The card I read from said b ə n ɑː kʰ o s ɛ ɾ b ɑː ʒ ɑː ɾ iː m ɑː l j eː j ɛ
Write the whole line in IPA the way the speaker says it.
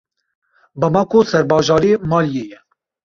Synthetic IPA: b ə m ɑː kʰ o s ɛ ɾ b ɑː ʒ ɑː ɾ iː m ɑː l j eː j ɛ